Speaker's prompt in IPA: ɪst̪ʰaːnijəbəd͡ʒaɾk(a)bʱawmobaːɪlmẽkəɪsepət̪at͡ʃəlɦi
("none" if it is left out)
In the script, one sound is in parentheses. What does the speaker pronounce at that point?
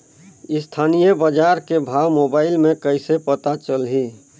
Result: e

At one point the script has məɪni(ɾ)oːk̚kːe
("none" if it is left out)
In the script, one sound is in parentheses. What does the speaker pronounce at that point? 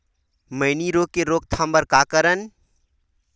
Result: ɾ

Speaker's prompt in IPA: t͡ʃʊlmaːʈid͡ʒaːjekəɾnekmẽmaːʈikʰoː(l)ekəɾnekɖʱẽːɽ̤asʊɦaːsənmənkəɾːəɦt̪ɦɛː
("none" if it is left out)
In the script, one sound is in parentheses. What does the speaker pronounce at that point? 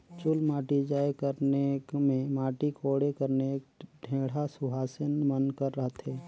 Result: ɽ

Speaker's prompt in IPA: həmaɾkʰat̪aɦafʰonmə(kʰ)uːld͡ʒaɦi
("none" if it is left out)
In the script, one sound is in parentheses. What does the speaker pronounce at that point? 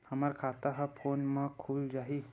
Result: kʰ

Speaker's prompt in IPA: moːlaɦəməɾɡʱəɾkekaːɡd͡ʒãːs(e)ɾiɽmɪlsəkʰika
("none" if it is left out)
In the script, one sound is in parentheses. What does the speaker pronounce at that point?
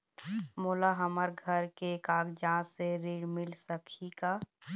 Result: e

